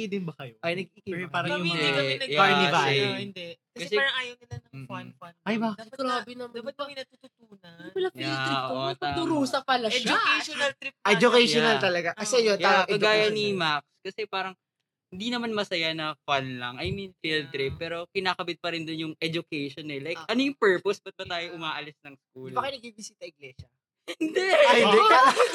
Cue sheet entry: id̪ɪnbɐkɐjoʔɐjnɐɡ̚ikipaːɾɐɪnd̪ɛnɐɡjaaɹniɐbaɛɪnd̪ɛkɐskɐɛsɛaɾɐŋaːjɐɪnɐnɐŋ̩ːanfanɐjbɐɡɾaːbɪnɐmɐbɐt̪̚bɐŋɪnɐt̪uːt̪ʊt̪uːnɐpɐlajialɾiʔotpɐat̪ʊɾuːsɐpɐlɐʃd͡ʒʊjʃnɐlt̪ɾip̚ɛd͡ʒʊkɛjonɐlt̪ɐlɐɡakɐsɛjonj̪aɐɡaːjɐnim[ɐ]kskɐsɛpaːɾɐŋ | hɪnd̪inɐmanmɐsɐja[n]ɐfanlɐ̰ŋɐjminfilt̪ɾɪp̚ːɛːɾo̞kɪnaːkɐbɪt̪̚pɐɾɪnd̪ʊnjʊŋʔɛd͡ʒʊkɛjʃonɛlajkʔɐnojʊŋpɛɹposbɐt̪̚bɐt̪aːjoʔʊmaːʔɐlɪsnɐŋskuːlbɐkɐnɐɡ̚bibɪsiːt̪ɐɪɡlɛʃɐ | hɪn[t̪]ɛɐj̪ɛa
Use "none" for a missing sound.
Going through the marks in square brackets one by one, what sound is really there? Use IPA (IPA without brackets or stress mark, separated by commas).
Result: a, n, d̪